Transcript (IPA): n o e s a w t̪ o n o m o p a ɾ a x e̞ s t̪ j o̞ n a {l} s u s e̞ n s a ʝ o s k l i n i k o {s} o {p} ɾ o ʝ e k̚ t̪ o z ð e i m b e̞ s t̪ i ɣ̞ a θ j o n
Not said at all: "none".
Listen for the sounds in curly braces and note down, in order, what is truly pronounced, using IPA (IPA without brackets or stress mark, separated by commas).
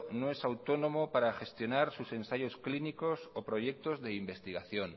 ɾ, s, p